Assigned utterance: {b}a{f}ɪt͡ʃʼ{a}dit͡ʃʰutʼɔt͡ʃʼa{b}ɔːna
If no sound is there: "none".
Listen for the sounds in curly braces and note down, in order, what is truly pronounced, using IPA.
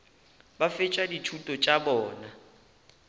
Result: b, f, a, b

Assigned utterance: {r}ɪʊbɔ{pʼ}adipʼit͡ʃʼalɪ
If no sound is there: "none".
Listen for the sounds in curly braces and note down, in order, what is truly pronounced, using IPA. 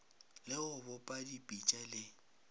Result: l, pʼ

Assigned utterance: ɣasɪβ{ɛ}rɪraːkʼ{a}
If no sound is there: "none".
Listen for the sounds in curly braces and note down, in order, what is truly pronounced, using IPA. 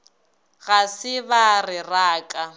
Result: a, a

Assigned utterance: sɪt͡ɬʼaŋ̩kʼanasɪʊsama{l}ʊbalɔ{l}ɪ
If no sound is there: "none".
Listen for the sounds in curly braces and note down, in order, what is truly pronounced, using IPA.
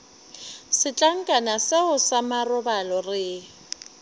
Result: r, r

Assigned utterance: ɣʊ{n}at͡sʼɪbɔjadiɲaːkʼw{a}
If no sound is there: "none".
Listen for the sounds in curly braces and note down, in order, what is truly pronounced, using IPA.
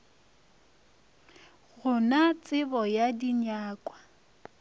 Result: n, a

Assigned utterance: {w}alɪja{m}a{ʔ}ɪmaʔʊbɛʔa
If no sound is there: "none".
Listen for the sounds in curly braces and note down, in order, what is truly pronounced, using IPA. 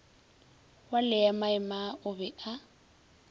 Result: w, m, none

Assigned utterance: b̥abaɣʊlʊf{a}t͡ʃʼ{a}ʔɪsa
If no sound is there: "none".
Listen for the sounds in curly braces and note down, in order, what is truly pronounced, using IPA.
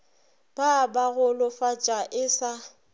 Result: a, a

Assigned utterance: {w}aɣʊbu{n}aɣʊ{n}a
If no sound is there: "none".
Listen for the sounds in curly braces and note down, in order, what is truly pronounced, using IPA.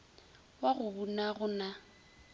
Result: w, n, n

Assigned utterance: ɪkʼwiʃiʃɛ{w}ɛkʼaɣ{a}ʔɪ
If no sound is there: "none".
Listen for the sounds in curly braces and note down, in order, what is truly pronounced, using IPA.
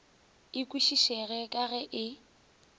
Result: ɣ, ɛ

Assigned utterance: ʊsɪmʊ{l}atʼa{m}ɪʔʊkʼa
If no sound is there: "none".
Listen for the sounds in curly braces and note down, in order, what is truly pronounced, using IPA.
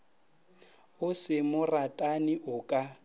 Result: r, n

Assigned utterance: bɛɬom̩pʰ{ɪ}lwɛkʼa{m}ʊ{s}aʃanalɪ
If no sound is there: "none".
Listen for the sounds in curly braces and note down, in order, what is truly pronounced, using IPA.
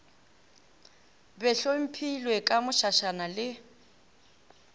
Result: i, m, ʃ

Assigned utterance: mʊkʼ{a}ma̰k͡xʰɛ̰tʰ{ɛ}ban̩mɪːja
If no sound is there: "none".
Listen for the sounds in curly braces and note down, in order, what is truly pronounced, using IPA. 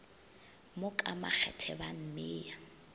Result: a, ɛ

